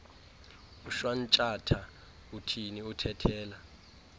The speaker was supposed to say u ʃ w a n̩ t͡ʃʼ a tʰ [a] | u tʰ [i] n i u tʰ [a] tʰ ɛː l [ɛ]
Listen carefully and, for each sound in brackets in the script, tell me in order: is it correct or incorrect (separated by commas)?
correct, correct, incorrect, incorrect